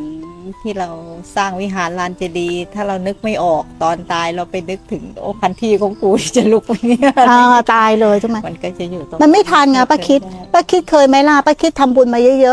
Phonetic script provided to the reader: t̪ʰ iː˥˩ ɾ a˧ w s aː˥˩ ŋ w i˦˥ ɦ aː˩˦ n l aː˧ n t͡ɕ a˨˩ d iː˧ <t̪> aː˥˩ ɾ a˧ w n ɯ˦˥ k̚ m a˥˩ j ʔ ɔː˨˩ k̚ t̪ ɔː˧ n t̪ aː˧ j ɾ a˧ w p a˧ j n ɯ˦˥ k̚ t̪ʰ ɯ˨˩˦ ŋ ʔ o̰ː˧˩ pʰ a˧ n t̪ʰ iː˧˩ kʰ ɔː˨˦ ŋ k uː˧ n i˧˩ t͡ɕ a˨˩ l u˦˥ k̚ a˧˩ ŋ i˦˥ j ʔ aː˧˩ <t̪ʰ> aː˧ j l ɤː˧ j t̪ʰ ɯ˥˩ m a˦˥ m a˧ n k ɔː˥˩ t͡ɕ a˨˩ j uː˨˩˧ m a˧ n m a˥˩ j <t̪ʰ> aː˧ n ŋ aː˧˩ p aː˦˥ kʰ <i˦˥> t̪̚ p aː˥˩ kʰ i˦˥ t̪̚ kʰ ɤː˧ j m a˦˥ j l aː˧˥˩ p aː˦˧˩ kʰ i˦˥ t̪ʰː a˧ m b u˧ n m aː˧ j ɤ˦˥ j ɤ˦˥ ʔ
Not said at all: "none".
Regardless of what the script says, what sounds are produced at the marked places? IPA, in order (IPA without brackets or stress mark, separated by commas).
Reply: t̪ʰ, t̪, t̪ʰ, i˦˥